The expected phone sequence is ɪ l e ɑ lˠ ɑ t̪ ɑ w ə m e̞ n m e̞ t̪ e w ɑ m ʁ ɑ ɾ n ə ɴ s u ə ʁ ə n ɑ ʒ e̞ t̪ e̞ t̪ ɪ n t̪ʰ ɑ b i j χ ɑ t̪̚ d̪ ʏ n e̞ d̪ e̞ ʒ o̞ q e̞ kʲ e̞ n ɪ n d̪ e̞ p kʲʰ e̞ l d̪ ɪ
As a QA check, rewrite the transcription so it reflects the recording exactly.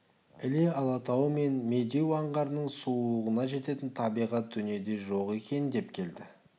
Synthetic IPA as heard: ɪ l e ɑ lˠ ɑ t̪ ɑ w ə m e̞ n m e̞ d̪ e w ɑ ɴ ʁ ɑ ɾ n ə ɴ s u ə ʁ ə n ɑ ʒ e̞ t̪ e̞ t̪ ɪ n t̪ʰ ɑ b i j ʁ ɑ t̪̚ d̪ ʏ n e̞ d̪ e̞ ʒ o̞ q e̞ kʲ e̞ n ɪ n d̪ e̞ p kʲʰ e̞ l d̪ ɪ

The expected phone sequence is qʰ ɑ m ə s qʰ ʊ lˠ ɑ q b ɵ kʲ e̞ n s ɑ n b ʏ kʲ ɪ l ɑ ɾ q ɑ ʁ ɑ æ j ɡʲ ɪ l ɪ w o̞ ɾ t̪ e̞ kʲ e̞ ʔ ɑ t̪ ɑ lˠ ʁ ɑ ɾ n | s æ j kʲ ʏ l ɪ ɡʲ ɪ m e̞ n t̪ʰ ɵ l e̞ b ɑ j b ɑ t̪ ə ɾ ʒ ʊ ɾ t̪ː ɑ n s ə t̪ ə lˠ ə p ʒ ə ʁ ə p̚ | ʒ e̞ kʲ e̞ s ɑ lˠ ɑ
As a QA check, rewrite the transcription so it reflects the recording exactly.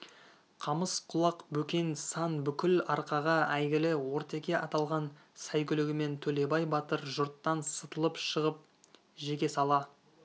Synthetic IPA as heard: qʰ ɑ m ə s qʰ ʊ lˠ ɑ q b ɵ kʲ e̞ n s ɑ n b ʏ kʲ ɪ l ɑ ɾ q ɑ ʁ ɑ æ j ɡʲ ɪ l ɪ w o̞ ɾ t̪ e̞ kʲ e̞ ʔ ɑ t̪ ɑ lˠ ʁ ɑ n | s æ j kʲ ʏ l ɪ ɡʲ ɪ m e̞ n t̪ʰ ɵ l e̞ b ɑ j b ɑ t̪ ə ɾ ʒ ʊ ɾ t̪ː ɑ n s ə t̪ ə lˠ ə p ʃ ə ʁ ə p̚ | ʒ e̞ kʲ e̞ s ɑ lˠ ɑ

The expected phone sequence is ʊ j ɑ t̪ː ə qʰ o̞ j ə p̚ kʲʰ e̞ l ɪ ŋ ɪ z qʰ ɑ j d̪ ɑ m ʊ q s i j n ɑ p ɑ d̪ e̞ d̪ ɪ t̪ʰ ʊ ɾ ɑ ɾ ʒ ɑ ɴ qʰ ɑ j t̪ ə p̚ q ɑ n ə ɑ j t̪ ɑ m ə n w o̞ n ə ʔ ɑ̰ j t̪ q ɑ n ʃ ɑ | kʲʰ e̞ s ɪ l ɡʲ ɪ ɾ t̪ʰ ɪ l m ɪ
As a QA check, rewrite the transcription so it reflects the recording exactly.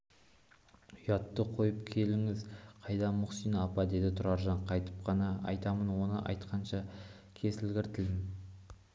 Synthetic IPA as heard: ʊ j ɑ t̪ː ə qʰ o̞ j ə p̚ kʲʰ e̞ l ɪ ŋ ɪ z qʰ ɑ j d̪ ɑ m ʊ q s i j n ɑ p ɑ d̪ e̞ d̪ ɪ t̪ʰ ʊ ɾ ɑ ɾ ʒ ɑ ɴ qʰ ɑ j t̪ ə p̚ q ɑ n ɑ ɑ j t̪ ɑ m ə n w o̞ n ə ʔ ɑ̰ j t̪ q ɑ n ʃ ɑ | kʲʰ e̞ s ɪ l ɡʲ ɪ ɾ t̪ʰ ɪ l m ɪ

